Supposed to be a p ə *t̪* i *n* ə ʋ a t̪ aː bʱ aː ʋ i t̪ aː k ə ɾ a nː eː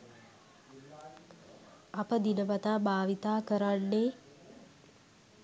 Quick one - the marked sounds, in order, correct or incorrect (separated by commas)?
incorrect, correct